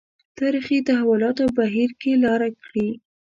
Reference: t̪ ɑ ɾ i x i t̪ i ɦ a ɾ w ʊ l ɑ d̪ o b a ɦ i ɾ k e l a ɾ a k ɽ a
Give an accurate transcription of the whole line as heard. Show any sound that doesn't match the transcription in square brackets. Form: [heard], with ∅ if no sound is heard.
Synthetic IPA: t̪ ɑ ɾ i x i t̪ [a] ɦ a [∅] w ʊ l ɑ [t̪] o b a ɦ i ɾ k e l [ɑ] ɾ a k ɽ [i]